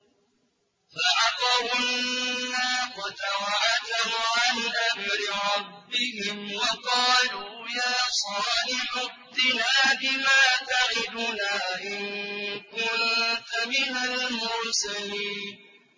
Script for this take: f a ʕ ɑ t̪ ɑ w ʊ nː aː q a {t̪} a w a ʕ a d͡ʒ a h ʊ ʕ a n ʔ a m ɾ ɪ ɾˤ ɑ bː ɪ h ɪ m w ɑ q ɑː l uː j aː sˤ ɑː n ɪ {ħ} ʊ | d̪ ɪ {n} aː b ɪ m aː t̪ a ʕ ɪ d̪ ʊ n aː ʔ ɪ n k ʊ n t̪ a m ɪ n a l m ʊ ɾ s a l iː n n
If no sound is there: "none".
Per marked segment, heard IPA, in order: t̪, ħ, n

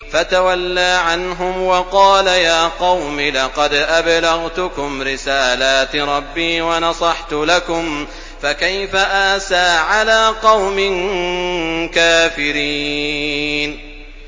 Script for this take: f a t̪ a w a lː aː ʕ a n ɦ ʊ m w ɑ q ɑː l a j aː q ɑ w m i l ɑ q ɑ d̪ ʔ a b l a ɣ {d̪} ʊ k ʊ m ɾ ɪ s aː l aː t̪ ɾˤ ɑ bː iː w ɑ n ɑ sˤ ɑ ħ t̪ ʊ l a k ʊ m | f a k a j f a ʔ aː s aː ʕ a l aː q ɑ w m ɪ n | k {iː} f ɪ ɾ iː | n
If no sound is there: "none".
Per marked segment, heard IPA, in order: t̪, aː

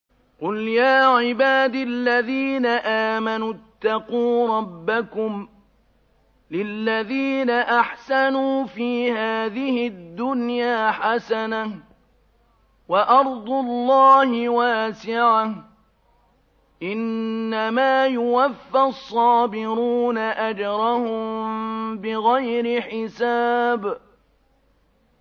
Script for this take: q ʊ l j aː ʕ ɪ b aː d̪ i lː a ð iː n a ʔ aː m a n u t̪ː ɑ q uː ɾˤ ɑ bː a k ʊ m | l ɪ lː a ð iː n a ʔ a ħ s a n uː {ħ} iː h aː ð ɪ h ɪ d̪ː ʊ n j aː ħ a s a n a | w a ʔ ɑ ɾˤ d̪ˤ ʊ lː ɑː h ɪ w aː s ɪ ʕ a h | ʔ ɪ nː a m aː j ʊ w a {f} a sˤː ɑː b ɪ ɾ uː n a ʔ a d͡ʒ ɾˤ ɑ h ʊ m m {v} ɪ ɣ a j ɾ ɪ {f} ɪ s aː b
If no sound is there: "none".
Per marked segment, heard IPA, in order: f, fː, b, ħ

